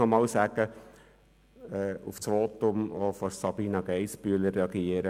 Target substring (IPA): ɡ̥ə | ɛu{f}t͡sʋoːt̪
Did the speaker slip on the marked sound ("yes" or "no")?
no